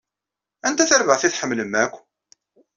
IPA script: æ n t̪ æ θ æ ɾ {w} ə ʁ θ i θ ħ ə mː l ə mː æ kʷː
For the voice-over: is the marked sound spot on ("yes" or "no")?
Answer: no